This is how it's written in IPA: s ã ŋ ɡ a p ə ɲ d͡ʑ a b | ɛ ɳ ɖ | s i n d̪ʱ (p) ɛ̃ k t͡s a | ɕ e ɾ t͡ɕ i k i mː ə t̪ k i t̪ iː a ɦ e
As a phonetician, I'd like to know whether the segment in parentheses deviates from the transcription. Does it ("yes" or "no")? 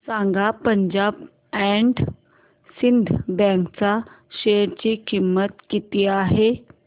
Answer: yes